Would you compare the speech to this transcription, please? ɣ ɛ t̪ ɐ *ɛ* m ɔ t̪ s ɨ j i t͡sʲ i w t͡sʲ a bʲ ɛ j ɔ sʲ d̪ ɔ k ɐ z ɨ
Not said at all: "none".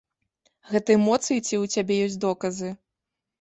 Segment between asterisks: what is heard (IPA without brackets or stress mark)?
ɛ